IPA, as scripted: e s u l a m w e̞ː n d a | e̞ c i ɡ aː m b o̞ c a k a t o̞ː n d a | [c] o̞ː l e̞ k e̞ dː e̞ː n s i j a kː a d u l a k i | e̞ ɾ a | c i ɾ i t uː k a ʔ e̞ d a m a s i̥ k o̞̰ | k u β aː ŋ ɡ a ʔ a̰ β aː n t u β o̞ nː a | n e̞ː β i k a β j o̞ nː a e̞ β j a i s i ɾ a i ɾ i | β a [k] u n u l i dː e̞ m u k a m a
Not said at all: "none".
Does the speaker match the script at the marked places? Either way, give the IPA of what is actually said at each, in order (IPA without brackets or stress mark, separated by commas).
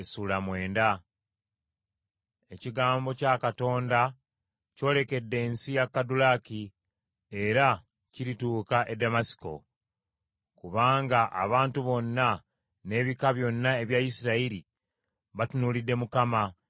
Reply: c, t